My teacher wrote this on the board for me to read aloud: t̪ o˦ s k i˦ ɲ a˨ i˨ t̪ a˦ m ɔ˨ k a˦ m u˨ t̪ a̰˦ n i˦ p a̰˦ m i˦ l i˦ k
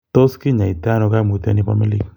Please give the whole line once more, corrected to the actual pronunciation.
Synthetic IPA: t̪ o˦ s k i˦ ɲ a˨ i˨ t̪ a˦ n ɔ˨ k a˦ m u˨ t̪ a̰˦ n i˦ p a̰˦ m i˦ l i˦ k